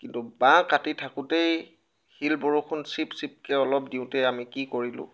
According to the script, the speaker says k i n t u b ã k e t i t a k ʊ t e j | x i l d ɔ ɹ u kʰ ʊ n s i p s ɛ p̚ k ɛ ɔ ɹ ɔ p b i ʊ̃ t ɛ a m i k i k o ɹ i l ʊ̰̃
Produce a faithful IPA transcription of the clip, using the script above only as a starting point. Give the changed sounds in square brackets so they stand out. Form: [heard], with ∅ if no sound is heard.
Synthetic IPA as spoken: k i n t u b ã k [a] t i [tʰ] a k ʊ t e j | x i l [b] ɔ ɹ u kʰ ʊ n s i p s [i] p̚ k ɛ ɔ [l] ɔ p [d] i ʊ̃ t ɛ a m i k i k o ɹ i l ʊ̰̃